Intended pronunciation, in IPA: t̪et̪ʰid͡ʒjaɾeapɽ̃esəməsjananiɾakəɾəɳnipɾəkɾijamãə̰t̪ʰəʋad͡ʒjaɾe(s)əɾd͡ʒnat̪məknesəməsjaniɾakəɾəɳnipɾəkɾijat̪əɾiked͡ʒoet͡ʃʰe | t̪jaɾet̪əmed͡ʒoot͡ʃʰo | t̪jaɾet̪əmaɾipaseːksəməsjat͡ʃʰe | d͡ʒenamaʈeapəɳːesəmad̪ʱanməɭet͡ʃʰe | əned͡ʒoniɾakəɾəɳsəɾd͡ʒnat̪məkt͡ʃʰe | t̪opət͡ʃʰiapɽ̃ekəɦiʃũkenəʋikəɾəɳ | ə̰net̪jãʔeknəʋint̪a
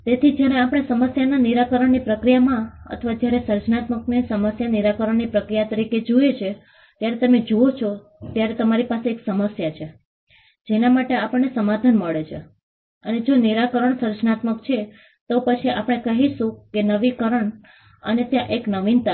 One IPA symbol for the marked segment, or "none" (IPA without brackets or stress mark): s